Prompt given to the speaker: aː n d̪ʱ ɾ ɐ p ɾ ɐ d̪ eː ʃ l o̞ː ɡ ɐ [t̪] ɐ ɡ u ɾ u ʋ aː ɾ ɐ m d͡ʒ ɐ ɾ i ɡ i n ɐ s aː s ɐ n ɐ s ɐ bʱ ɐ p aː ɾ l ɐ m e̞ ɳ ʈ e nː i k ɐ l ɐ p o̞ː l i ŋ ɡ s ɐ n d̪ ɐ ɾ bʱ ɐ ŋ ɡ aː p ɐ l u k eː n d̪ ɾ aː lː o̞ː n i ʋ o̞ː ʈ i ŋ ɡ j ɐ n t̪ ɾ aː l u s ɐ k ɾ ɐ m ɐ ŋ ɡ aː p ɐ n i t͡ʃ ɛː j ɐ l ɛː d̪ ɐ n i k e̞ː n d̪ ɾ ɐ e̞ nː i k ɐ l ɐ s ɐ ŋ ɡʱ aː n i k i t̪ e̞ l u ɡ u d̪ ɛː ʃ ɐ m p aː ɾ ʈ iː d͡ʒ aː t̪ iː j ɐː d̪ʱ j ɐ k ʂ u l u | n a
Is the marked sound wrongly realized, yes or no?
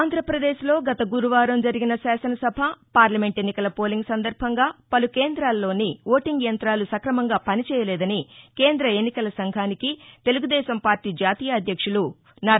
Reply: no